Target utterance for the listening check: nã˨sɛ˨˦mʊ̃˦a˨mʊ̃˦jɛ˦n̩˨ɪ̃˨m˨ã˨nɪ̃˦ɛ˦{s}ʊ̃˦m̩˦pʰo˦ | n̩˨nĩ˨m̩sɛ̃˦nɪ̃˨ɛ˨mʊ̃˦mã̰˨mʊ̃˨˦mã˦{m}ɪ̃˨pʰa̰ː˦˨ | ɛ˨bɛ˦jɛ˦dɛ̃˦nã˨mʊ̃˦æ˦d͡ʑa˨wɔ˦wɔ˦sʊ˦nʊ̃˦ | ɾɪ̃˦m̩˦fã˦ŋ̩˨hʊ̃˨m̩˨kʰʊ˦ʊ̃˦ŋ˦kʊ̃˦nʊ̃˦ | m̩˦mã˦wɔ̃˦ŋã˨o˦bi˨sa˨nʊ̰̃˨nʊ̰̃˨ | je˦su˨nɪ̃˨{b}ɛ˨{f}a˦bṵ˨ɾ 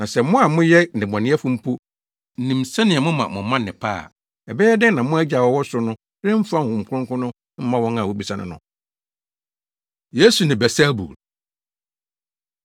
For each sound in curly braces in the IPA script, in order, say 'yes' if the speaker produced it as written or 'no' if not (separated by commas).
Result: no, no, yes, no